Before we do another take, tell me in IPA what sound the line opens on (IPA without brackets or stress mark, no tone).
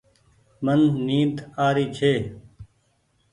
m